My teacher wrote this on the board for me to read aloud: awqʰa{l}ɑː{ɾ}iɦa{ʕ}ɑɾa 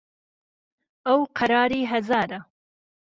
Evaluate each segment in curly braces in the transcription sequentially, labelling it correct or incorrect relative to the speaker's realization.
incorrect: ɾ, correct, incorrect: z

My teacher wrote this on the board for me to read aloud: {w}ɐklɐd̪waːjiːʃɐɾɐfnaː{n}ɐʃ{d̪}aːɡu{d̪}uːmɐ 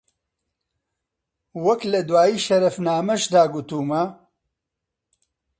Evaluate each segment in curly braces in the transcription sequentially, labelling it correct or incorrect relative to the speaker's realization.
correct, incorrect: m, correct, incorrect: t̪

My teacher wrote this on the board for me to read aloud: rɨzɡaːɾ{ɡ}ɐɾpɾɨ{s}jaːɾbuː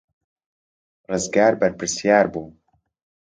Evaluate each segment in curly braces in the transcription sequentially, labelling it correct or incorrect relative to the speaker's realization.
incorrect: b, correct

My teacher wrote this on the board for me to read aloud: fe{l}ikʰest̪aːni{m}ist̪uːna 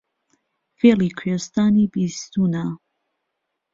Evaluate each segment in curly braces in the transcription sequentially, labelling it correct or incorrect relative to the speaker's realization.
correct, incorrect: b

